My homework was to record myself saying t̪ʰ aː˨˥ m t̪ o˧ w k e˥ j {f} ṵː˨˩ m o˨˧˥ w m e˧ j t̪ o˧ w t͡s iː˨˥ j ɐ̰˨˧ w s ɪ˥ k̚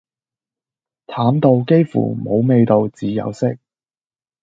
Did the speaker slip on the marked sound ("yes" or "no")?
no